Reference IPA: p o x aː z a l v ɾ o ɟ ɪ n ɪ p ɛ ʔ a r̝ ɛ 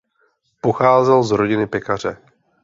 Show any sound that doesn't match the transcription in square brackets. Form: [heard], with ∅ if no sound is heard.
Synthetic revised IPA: p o x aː z [ɛ] l [z] ɾ o ɟ ɪ n ɪ p ɛ [k] a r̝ ɛ

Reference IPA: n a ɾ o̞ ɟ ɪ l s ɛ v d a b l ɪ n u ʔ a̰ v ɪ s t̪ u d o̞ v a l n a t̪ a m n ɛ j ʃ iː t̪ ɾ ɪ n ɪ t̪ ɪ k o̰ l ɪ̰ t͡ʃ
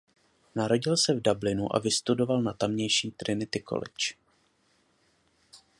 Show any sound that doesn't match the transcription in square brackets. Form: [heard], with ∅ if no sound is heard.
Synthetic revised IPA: n a ɾ o̞ ɟ ɪ l s ɛ v d a b l ɪ n u ʔ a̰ v ɪ s t̪ u d o̞ v a l n a t̪ a m [ɲ] ɛ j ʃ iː t̪ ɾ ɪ n ɪ t̪ ɪ k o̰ l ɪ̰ t͡ʃ

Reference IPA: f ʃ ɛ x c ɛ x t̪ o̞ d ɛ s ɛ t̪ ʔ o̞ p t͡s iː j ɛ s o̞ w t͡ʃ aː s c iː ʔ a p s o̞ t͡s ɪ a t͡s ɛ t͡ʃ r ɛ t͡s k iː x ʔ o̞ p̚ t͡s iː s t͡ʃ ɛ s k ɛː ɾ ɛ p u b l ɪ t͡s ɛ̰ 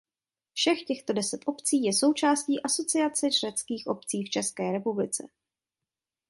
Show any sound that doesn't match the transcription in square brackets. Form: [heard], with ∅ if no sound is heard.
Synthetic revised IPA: f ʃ ɛ x c ɛ x t̪ o̞ d ɛ s ɛ t̪ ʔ o̞ p t͡s iː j ɛ s o̞ w t͡ʃ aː s c iː ʔ a [∅] s o̞ t͡s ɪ a t͡s ɛ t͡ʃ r ɛ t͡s k iː x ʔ o̞ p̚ t͡s iː [f] t͡ʃ ɛ s k ɛː ɾ ɛ p u b l ɪ t͡s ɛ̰

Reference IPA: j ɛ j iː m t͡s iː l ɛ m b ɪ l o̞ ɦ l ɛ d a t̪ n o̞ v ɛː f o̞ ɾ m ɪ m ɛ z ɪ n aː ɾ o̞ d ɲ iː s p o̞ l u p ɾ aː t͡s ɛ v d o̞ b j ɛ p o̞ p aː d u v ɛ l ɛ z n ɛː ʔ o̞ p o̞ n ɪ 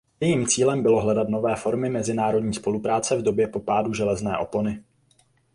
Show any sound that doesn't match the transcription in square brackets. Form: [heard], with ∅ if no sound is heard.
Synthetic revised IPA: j ɛ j iː m t͡s iː l ɛ m b ɪ l o̞ ɦ l ɛ d a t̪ n o̞ v ɛː f o̞ ɾ m ɪ m ɛ z ɪ n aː ɾ o̞ d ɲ iː s p o̞ l u p ɾ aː t͡s ɛ v d o̞ b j ɛ p o̞ p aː d u [ʒ] ɛ l ɛ z n ɛː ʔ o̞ p o̞ n ɪ

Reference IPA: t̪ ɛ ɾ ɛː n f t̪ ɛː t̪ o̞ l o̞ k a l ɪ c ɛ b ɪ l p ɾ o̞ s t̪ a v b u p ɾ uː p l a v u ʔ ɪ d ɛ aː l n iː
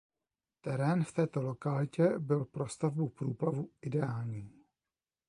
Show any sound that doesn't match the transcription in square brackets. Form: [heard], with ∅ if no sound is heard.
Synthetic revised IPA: t̪ ɛ ɾ ɛː n f t̪ ɛː t̪ o̞ l o̞ k a l ɪ c ɛ b ɪ l p ɾ o̞ s t̪ a v b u p ɾ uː p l a v u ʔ ɪ d ɛ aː l [ɲ] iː

